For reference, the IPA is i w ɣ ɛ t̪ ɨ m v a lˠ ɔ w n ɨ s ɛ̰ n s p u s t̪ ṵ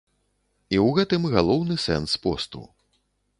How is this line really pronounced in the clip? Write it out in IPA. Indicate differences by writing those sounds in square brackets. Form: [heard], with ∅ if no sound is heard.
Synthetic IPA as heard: i w ɣ ɛ t̪ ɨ m [ɣ] a lˠ ɔ w n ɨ s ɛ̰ n s p [ɔ] s t̪ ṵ